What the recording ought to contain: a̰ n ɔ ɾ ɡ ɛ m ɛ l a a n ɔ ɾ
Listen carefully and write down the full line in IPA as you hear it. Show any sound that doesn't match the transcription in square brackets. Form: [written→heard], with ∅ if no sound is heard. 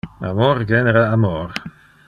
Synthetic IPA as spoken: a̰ [n→m] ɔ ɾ ɡ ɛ [m→n] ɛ [l→ɾ] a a [n→m] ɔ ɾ